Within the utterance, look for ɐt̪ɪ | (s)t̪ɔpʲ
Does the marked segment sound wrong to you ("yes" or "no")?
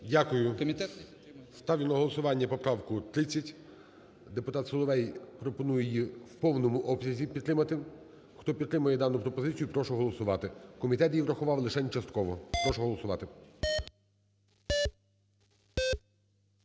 yes